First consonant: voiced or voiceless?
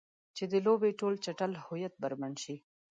voiceless